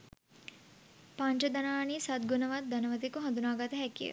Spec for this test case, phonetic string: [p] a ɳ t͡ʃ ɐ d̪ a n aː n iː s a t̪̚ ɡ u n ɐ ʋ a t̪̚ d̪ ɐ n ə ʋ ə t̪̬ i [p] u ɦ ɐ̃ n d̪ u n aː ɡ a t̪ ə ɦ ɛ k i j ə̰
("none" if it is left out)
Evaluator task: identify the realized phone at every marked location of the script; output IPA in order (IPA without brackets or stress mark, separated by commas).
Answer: p, k